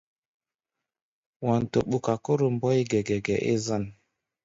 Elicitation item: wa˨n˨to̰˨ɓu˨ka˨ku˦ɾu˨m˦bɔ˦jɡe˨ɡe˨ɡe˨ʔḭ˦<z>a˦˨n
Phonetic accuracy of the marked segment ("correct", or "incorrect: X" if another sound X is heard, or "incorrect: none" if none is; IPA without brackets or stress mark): correct